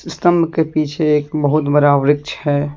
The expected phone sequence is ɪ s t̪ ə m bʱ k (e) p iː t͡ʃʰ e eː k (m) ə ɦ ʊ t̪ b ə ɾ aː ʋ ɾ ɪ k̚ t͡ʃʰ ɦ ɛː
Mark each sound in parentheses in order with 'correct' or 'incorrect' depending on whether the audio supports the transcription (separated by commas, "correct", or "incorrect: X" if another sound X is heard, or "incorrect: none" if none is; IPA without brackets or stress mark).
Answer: correct, incorrect: b